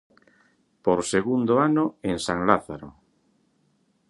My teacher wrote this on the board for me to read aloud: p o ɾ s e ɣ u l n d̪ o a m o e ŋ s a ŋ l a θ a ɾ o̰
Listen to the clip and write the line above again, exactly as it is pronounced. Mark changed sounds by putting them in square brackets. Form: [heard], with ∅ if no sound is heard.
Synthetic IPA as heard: p o ɾ s e ɣ u [∅] n d̪ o a [n] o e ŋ s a ŋ l a θ a ɾ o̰